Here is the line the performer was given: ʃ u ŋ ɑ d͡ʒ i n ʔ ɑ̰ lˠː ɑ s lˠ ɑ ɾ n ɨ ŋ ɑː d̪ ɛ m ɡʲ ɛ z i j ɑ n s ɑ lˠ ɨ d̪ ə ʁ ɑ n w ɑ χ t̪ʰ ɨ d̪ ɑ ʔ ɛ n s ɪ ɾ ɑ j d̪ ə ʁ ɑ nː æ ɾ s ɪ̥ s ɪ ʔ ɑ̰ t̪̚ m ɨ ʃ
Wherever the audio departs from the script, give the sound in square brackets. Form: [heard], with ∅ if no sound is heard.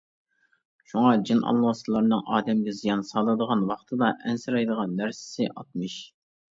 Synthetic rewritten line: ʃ u ŋ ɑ d͡ʒ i n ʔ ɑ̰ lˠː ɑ s lˠ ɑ ɾ n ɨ ŋ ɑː d̪ ɛ m ɡʲ ɛ z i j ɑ n s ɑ lˠ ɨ d̪ ə ʁ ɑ n w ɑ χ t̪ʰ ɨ d̪ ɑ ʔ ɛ n s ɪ ɾ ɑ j d̪ ə ʁ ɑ nː æ ɾ s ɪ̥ s ɪ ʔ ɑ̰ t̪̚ m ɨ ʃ